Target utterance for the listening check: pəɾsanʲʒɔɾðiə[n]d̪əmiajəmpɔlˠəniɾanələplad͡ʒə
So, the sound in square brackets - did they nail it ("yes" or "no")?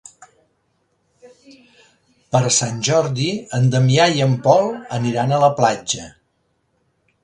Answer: yes